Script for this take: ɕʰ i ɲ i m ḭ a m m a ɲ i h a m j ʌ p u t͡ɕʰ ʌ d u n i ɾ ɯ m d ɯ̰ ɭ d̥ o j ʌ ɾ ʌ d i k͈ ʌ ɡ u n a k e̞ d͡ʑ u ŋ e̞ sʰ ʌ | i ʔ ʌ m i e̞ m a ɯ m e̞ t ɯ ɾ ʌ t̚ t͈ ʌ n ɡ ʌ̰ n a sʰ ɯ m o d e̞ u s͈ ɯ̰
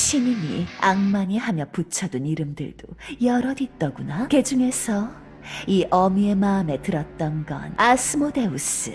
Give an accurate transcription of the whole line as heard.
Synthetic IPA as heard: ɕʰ i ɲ i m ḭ a ŋ m a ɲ i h a m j ʌ p u t͡ɕʰ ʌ d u n i ɾ ɯ m d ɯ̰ ɭ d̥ o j ʌ ɾ ʌ d i t͈ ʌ ɡ u n a k e̞ d͡ʑ u ŋ e̞ sʰ ʌ | i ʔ ʌ m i e̞ m a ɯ m e̞ t ɯ ɾ ʌ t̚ t͈ ʌ n ɡ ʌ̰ n a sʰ ɯ m o d e̞ u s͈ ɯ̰